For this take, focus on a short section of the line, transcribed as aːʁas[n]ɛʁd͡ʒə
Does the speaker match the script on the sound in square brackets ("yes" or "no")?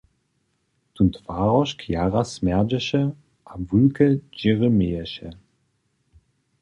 no